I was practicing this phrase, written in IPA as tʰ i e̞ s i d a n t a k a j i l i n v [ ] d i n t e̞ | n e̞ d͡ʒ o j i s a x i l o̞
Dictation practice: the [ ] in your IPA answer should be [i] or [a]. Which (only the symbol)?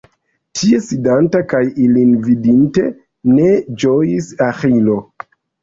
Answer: i